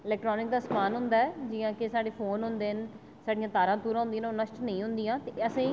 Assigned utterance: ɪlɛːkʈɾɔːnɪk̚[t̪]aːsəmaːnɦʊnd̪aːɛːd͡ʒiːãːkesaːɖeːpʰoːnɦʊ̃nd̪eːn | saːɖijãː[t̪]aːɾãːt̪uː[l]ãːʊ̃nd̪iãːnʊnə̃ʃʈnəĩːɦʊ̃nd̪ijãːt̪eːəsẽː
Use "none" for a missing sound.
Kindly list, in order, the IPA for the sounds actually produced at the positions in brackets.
d̪, t̪, ɾ

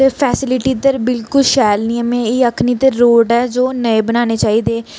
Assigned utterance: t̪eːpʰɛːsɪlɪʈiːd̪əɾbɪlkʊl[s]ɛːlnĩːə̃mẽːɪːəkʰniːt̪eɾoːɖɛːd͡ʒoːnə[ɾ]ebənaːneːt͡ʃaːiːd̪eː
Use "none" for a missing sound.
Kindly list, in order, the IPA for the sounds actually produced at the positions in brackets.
ʃ, none

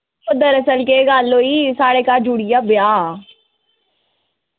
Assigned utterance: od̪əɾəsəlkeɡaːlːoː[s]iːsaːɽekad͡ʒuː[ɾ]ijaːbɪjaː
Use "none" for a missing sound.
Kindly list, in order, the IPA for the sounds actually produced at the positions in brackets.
none, ɽ

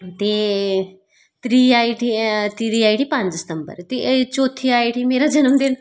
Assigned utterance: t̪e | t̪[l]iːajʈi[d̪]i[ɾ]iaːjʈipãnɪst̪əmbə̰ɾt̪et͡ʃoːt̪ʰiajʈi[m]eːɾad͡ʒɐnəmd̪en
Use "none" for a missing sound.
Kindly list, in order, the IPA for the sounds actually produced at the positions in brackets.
ɾ, t̪, ɾ, m

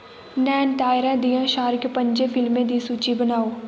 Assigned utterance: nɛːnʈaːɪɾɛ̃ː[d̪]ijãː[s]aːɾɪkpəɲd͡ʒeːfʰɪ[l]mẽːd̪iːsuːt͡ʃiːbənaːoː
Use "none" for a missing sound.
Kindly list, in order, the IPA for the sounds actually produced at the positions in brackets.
d̪, ʃ, l

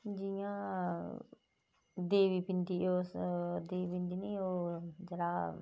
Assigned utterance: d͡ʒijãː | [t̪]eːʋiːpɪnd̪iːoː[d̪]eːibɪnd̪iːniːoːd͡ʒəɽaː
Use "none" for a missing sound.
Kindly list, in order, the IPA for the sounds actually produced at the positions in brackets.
d̪, d̪

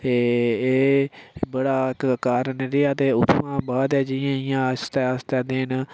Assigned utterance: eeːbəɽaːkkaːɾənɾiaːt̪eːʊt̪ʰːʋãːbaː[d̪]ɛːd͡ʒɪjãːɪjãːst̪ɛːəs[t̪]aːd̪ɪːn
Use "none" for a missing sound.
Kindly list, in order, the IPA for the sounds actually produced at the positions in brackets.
d̪, t̪

